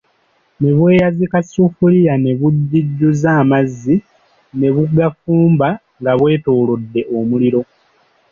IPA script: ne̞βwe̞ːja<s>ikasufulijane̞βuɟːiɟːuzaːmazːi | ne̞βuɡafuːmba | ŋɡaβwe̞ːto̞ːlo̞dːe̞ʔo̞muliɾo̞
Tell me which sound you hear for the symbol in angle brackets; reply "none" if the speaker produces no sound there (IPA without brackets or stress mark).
z